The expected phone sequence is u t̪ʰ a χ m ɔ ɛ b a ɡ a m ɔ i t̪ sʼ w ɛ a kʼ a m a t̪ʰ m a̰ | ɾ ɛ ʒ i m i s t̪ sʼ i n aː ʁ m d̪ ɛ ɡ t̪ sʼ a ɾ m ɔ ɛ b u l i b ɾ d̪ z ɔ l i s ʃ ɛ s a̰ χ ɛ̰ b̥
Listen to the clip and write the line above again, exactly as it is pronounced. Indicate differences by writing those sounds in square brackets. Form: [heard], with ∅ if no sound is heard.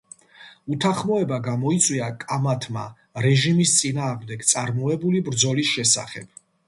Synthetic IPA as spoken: u t̪ʰ a χ m ɔ ɛ b a ɡ a m ɔ i t̪ sʼ w [i] a kʼ a m a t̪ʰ m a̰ | ɾ ɛ ʒ i m i s t̪ sʼ i n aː ʁ m d̪ ɛ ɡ t̪ sʼ a ɾ m ɔ ɛ b u l i b ɾ d̪ z ɔ l i s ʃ ɛ s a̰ χ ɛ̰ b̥